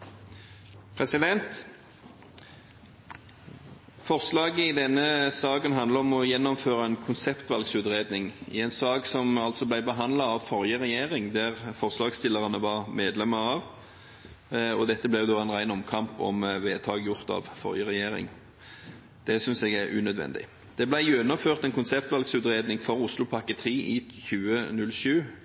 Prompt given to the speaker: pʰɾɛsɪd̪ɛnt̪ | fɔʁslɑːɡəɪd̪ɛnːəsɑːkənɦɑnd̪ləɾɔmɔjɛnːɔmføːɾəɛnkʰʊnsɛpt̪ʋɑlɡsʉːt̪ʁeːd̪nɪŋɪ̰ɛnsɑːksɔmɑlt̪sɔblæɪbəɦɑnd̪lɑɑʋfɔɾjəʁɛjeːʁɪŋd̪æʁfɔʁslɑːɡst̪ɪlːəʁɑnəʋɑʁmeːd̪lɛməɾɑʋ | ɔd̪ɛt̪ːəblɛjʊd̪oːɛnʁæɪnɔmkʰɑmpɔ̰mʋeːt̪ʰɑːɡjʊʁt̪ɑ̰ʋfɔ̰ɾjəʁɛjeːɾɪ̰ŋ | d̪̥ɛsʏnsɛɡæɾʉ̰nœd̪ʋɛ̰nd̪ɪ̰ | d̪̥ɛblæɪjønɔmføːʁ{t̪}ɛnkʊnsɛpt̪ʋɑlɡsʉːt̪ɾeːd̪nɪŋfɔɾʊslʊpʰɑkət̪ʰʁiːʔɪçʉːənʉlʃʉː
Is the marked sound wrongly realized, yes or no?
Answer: no